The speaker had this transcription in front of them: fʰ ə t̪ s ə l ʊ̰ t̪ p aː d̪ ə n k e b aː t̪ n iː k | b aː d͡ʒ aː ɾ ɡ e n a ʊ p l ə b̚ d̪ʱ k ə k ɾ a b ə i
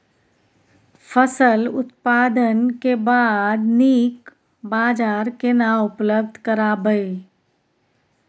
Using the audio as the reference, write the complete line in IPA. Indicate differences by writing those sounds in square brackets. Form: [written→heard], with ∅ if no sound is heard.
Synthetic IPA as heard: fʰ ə [t̪→∅] s ə l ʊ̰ t̪ p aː d̪ ə n k e b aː [t̪→d̪] n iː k | b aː d͡ʒ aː ɾ [ɡ→k] e n a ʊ p l ə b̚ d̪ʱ k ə [k→∅] ɾ a b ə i